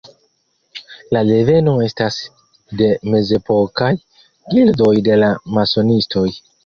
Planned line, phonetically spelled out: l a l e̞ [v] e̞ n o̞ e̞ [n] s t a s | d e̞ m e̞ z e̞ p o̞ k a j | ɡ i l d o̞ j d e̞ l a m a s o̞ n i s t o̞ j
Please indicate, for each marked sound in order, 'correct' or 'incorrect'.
correct, incorrect: none

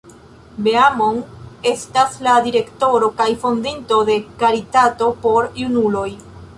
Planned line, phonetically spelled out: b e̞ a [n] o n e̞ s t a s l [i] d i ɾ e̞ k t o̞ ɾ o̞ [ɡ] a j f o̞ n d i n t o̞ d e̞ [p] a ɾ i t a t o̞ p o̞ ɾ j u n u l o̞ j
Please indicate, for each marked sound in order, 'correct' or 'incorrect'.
incorrect: m, incorrect: a, incorrect: k, incorrect: k

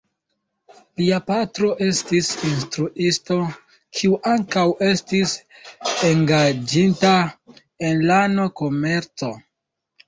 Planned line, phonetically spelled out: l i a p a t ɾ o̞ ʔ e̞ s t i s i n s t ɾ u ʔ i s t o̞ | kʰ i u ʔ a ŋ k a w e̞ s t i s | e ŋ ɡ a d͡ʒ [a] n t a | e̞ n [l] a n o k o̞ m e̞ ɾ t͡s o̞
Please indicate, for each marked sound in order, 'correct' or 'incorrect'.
incorrect: i, correct

